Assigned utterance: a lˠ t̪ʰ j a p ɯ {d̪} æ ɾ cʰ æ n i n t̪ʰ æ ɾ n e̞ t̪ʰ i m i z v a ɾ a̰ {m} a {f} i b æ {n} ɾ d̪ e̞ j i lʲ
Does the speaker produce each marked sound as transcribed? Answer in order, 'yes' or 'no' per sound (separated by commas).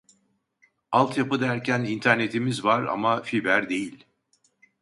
yes, yes, yes, no